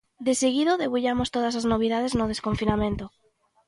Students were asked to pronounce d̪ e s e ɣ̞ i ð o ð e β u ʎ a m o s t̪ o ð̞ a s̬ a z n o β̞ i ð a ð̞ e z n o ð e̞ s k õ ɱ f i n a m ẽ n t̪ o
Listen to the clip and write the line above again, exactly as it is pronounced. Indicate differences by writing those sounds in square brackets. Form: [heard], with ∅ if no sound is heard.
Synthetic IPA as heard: d̪ e s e ɣ̞ i ð o ð e β u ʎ a m o s t̪ o ð̞ a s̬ a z n o β̞ i ð a ð̞ e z n o ð e̞ s k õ ɱ f i n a m ẽ n t̪ o